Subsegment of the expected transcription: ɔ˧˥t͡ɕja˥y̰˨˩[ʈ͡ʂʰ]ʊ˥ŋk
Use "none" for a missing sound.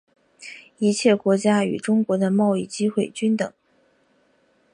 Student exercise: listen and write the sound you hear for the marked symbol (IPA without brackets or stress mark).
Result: ʈ͡ʂ